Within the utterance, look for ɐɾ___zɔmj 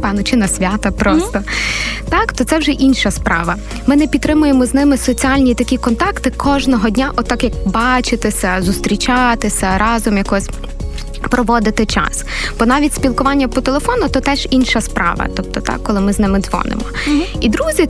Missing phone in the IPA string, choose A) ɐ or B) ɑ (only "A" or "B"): B